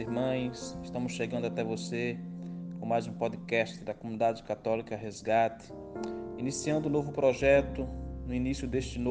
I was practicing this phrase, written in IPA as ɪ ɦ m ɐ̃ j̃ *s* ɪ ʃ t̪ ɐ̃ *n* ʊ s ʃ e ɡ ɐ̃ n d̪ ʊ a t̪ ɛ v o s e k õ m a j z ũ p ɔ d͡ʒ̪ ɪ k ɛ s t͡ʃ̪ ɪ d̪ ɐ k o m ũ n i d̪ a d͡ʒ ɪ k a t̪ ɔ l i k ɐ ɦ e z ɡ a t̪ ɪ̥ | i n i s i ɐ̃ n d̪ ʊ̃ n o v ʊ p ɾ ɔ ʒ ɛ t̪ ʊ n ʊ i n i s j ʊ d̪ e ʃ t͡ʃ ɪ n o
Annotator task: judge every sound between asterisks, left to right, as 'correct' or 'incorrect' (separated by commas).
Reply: correct, incorrect